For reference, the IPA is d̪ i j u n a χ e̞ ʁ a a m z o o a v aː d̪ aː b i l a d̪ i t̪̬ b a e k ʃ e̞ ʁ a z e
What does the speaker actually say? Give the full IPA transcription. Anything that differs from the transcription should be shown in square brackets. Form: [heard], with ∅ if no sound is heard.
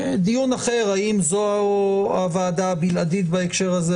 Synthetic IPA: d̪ i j u n a χ e̞ ʁ a [i] m z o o a v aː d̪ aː b i l a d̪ i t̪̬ b a e k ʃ e̞ ʁ a z e